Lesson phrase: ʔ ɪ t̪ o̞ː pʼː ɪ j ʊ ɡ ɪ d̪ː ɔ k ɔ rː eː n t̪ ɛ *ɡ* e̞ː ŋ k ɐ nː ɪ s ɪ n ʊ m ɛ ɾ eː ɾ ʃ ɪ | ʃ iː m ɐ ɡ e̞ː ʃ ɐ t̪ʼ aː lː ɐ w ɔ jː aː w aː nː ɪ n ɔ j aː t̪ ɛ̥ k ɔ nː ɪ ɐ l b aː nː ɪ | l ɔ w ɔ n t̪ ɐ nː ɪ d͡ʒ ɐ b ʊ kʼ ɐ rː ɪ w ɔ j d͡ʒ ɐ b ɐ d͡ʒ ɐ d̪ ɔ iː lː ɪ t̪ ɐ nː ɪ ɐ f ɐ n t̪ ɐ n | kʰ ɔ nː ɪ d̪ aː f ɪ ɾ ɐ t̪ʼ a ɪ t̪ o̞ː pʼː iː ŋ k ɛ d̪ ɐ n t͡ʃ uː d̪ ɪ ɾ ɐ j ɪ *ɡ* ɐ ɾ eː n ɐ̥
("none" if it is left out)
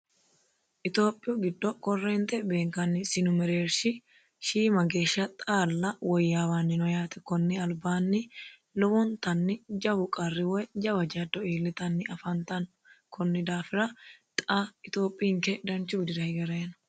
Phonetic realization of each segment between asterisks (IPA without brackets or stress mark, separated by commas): b, ɡ